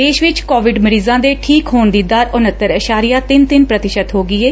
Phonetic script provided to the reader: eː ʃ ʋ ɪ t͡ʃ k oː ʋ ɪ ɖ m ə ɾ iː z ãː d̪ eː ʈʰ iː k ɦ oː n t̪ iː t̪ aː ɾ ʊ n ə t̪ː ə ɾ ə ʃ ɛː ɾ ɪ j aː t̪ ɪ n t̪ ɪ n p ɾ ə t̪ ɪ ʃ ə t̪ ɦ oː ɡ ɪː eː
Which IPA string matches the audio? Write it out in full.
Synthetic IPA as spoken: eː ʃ ʋ ɪ t͡ʃ k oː ʋ ɪ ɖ m ə ɾ iː z ãː d̪ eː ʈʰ iː k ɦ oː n d̪ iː d̪ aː ɾ ʊ n ə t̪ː ə ɾ ə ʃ aː ɾ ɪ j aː t̪ ɪ n t̪ ɪ n p ɾ ə t̪ ɪ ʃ ə t̪ ɦ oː ɡ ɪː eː